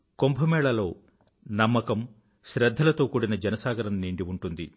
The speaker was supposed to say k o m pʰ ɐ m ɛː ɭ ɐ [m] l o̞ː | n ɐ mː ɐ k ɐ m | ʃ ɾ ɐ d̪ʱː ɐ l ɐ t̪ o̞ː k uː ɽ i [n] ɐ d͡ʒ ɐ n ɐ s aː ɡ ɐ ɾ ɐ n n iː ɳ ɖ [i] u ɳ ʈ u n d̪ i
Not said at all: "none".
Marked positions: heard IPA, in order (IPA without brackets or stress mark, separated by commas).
none, n, i